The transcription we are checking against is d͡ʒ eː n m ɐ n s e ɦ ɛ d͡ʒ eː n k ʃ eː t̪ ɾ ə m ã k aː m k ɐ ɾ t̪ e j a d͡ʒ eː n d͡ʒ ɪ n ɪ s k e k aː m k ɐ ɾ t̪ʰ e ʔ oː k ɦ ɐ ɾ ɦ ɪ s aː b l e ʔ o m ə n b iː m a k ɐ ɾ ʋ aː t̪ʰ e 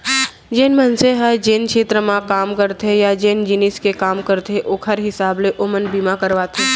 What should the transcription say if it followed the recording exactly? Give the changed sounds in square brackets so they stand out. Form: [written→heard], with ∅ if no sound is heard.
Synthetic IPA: d͡ʒ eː n m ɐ n s e ɦ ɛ d͡ʒ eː n k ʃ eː t̪ ɾ ə m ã k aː m k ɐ ɾ t̪ e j a d͡ʒ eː n d͡ʒ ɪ n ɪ s k e k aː m k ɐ ɾ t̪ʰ e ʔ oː k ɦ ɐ ɾ ɦ ɪ s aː b l e ʔ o m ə n b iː m a k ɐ ɾ ʋ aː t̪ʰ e